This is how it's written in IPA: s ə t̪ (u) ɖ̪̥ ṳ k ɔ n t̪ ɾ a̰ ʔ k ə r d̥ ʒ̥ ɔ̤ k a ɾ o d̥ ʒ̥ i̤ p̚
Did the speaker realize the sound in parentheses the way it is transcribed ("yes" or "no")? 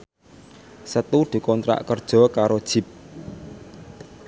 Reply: yes